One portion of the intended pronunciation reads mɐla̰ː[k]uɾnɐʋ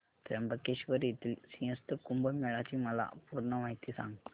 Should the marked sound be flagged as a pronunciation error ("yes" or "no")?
yes